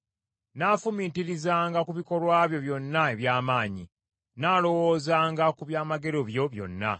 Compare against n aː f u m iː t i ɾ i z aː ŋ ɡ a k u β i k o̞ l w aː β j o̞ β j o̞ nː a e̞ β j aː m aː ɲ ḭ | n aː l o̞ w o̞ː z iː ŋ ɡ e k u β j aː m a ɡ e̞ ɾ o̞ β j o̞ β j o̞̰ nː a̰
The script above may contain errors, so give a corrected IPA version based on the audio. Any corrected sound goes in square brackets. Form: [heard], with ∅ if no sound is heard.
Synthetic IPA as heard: n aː f u m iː t i ɾ i z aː ŋ ɡ a k u β i k o̞ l w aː β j o̞ β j o̞ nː a e̞ β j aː m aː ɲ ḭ | n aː l o̞ w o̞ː z [aː] ŋ ɡ [a] k u β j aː m a ɡ e̞ ɾ o̞ β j o̞ β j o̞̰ nː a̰